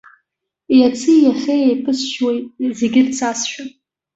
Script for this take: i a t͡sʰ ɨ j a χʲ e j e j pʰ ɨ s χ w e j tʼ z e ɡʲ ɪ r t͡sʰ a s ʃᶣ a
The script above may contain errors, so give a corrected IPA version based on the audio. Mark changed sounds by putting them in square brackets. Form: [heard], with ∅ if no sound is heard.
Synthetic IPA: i a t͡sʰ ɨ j a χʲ e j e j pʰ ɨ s [ʃ] w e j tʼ z e ɡʲ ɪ r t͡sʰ a s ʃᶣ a